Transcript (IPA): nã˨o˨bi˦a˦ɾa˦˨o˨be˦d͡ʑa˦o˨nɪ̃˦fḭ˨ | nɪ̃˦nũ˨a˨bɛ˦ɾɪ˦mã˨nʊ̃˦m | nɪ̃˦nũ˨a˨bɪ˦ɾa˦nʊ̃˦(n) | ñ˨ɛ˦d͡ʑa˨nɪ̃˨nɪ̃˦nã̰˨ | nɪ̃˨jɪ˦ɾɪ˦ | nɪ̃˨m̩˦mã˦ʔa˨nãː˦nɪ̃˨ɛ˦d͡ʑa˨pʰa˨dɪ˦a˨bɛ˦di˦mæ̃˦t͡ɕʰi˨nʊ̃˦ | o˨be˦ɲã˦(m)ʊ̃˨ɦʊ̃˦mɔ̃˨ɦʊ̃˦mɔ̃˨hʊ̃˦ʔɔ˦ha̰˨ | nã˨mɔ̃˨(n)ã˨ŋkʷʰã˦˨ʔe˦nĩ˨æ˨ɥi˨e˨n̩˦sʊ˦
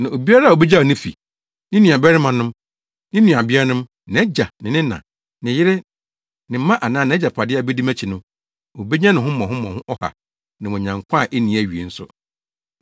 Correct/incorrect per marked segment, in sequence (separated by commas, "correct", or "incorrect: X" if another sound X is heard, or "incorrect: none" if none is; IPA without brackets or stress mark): incorrect: m, incorrect: n, incorrect: ɲ